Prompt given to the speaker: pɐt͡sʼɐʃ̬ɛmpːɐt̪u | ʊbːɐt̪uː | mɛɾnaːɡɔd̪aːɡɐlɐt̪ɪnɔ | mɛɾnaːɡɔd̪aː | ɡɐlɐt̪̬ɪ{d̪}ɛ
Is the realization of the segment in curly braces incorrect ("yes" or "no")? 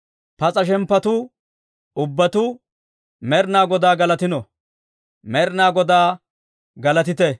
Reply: yes